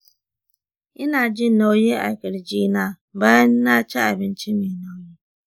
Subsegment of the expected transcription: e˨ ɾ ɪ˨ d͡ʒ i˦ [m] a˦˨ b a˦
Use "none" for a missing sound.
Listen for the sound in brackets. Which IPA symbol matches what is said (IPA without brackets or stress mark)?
n